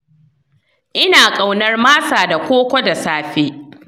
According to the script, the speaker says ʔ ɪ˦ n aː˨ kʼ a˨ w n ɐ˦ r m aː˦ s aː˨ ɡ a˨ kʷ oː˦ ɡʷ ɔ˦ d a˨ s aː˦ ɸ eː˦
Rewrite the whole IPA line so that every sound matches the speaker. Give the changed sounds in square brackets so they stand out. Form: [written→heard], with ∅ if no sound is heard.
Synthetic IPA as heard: ʔ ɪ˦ n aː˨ kʼ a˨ w n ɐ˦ r m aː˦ s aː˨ [ɡ→d] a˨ kʷ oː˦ [ɡʷ→kʷ] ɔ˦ d a˨ s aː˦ ɸ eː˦